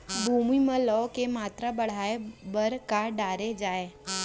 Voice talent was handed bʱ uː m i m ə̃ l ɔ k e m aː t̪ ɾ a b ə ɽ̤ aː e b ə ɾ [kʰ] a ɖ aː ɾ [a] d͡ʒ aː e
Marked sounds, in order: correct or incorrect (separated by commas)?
incorrect, incorrect